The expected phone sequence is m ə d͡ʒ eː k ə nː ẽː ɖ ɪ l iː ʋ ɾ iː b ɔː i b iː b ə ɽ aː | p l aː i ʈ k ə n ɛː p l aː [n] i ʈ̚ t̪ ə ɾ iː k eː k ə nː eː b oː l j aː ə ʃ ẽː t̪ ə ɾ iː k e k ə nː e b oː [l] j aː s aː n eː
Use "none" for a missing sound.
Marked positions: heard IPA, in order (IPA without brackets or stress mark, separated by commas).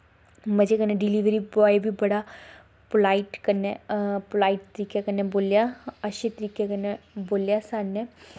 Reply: none, l